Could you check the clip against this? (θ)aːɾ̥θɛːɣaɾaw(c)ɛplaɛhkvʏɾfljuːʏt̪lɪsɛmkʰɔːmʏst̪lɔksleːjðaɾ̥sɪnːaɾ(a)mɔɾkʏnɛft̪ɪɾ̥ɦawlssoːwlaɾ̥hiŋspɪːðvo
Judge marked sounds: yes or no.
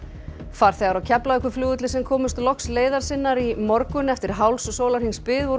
no, no, no

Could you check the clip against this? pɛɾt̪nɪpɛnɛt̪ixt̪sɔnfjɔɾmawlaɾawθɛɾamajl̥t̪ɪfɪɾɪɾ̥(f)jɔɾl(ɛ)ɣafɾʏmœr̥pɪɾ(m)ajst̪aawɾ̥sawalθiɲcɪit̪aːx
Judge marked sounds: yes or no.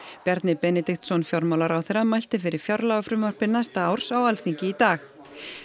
yes, no, no

